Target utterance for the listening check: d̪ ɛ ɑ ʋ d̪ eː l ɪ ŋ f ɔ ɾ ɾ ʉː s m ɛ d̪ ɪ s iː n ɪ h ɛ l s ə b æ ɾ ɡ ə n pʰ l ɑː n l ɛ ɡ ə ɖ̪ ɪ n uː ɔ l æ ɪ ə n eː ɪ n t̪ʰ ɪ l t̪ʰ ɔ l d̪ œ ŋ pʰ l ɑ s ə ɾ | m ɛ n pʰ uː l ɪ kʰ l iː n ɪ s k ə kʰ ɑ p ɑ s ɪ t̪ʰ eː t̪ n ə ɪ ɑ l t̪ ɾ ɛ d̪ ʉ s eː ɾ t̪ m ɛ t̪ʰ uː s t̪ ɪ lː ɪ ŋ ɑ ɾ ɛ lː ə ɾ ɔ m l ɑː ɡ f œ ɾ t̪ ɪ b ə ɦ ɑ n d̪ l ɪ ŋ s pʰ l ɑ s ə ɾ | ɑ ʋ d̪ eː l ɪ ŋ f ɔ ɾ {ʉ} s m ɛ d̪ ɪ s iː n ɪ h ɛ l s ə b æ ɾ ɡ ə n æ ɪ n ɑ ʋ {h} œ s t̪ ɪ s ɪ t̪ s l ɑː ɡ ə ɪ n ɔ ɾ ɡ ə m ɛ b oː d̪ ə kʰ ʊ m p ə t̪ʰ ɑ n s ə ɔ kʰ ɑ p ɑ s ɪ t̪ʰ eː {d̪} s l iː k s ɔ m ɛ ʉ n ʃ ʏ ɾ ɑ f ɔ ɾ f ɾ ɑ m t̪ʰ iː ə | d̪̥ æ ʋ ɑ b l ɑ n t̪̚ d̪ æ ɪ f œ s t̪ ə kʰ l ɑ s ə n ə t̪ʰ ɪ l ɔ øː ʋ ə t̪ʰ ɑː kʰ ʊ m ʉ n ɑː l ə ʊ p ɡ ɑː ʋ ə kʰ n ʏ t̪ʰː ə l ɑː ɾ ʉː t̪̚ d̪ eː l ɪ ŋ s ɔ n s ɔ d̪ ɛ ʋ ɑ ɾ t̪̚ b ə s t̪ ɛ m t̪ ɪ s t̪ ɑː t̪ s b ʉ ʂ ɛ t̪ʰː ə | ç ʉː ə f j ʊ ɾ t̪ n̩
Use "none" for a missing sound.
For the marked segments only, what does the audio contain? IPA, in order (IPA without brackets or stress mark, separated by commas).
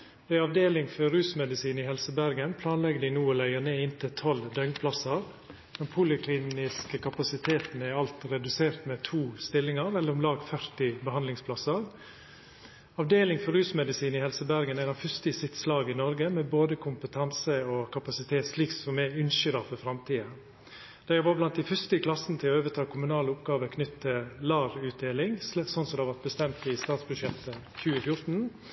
ʉː, f, t̪